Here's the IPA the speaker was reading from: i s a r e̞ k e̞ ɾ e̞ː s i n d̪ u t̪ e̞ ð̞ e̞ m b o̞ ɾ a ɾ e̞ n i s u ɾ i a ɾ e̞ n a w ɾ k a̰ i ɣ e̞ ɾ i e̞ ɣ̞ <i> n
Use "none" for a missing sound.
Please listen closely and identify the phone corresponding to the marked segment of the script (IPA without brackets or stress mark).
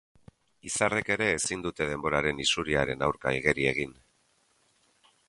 i